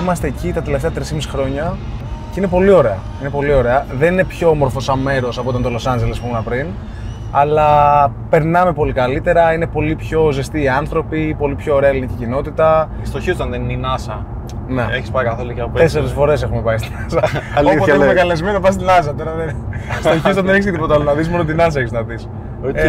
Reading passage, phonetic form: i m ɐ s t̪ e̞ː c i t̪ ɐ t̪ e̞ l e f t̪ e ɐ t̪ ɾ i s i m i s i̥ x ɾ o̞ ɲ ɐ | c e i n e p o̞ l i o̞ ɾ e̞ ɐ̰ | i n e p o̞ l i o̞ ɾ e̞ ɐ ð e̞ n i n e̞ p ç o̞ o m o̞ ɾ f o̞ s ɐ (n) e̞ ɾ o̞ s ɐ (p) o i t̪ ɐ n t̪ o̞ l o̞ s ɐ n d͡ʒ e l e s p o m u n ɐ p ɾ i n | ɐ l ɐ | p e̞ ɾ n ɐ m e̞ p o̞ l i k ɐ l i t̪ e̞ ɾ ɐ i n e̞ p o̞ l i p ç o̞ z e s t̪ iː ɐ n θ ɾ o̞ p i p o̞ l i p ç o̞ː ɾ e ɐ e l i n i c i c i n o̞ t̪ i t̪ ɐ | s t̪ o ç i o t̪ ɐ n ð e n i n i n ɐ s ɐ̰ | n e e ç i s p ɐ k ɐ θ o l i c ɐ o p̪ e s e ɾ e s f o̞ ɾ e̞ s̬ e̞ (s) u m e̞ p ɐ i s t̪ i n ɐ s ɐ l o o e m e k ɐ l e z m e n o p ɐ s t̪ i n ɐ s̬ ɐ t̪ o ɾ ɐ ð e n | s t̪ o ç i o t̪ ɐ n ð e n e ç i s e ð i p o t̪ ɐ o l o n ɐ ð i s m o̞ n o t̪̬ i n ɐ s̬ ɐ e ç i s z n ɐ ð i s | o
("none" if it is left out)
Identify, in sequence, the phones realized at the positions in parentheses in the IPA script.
m, p, x

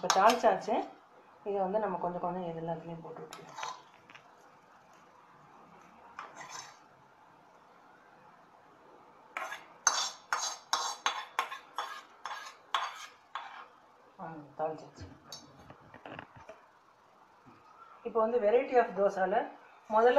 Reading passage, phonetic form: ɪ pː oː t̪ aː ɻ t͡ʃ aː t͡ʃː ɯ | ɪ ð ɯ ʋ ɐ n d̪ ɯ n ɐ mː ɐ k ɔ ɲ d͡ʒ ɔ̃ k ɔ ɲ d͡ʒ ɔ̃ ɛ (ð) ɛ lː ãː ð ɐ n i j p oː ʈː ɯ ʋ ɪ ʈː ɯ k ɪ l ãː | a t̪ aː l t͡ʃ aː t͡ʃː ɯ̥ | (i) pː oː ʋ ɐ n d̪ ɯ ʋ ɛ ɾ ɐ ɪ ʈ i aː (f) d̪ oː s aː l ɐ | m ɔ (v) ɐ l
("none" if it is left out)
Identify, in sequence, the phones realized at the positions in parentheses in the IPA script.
ð, ɪ, f, ð

